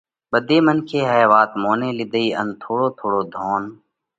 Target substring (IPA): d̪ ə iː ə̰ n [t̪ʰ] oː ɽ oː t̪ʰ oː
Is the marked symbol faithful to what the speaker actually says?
yes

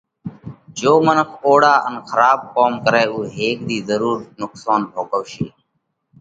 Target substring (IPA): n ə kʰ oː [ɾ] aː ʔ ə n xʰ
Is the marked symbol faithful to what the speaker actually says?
no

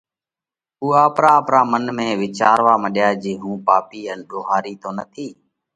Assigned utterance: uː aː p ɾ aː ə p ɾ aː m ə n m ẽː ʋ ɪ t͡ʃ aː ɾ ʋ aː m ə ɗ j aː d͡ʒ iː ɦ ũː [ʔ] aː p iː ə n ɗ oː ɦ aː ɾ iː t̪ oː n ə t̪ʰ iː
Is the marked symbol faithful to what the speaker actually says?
no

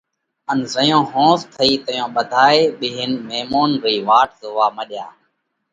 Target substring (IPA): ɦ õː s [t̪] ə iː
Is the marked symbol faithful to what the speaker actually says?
no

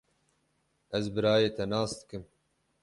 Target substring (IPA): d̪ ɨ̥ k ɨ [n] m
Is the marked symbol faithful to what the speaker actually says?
no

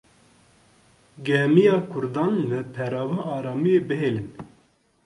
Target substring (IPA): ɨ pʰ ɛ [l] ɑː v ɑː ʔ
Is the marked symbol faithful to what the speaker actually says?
no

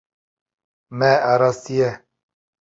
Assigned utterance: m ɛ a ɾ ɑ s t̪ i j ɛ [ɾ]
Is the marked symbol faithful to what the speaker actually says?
no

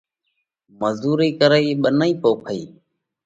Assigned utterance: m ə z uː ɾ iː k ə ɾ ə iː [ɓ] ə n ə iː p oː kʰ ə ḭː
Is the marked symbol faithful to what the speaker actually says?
yes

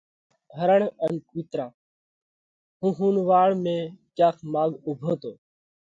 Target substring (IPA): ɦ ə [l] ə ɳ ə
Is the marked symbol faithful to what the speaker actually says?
no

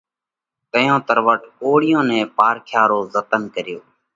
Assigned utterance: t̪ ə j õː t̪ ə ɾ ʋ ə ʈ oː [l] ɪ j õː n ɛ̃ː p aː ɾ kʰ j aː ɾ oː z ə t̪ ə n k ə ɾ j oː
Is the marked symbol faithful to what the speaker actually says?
no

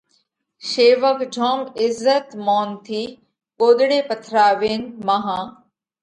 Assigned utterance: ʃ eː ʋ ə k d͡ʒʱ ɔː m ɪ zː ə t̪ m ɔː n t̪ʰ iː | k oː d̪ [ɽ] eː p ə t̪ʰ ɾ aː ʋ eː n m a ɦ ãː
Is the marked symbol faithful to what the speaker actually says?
yes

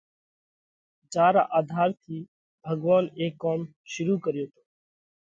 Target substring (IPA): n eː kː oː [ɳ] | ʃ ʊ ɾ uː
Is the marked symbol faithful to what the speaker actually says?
no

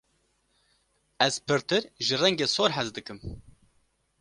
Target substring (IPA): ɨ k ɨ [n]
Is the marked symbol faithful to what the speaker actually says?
no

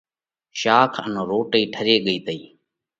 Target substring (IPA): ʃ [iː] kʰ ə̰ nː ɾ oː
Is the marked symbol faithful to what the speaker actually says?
no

